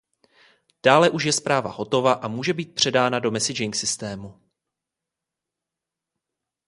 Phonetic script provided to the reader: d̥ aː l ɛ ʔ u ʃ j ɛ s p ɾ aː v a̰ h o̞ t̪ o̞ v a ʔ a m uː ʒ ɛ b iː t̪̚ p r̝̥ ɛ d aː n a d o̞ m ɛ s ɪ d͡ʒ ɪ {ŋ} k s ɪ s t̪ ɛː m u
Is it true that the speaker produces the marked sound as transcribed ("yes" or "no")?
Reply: yes